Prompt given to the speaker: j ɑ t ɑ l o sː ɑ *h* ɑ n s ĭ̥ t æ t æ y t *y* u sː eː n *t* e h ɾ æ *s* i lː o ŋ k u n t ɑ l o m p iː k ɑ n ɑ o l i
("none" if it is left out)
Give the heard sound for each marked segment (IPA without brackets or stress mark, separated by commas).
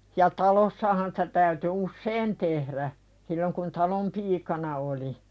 h, y, t, s